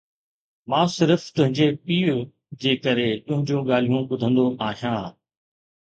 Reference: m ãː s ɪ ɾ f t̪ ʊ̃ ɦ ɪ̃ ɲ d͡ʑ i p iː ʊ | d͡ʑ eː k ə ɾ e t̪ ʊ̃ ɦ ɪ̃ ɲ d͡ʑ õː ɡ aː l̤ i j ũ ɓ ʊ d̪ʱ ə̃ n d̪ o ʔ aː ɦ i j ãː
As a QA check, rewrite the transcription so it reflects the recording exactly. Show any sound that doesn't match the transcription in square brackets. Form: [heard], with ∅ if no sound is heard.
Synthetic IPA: m ãː s ɪ ɾ f t̪ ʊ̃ ɦ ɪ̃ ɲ d͡ʑ [e] p iː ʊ | d͡ʑ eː k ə ɾ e t̪ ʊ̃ ɦ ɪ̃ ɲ d͡ʑ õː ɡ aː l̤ i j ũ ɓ ʊ d̪ʱ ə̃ n d̪ o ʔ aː ɦ i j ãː